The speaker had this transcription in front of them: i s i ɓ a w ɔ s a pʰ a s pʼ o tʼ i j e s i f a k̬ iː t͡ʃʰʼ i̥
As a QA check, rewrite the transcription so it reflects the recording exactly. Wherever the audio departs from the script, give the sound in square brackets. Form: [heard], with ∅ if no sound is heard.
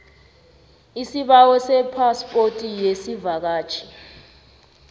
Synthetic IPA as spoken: i s i ɓ a w ɔ s [ɛ] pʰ a s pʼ o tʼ i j e s i [v] a k̬ [aː] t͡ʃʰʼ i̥